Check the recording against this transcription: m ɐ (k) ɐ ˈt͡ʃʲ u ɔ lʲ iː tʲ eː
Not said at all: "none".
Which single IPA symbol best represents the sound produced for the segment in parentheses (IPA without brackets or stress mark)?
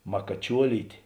k